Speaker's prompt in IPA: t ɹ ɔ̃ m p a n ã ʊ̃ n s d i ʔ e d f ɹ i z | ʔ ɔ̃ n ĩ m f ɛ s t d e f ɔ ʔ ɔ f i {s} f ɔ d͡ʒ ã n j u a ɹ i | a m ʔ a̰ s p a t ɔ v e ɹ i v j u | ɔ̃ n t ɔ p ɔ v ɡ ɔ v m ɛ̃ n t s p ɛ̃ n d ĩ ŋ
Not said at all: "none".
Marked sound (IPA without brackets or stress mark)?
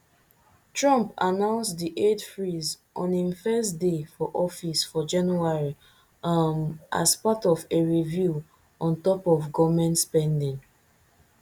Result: s